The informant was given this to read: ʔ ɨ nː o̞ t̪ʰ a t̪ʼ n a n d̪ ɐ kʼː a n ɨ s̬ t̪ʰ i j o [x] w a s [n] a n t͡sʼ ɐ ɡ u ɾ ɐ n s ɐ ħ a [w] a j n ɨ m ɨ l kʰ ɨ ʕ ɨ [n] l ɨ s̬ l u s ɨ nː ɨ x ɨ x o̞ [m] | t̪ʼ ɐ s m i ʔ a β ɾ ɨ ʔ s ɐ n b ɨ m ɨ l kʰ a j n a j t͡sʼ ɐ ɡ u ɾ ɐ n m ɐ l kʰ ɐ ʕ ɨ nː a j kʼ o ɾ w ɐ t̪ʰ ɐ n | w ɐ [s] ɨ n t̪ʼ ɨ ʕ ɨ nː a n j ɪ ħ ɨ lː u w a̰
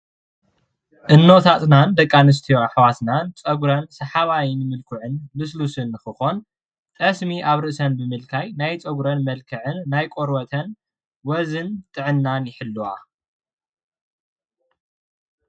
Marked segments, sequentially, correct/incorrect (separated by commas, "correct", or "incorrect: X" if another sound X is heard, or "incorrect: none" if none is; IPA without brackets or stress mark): incorrect: ħ, correct, incorrect: β, correct, incorrect: n, incorrect: z